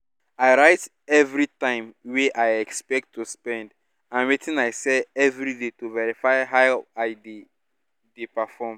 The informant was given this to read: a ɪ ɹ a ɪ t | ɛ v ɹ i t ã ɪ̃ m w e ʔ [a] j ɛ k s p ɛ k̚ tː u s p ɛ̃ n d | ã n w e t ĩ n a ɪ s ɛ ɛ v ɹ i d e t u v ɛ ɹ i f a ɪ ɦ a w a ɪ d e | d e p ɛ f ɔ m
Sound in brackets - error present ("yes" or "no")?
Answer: no